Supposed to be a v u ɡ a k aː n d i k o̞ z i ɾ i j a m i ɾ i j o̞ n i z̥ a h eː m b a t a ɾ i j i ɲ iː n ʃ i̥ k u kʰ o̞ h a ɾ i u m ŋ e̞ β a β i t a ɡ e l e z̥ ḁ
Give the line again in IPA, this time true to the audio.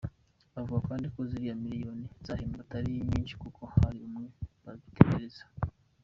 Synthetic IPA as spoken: a v u ɡ a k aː n d i k o̞ z i ɾ i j a m i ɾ i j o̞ n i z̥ a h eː m b a t a ɾ i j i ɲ iː n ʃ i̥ k u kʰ o̞ h a ɾ i u m ŋ e̞ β a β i t e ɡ e ɾ e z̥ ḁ